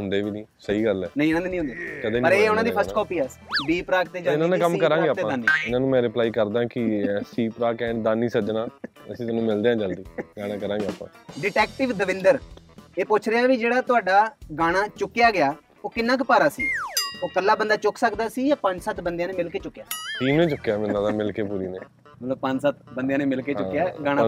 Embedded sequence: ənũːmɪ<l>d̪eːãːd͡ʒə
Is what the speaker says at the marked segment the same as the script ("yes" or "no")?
yes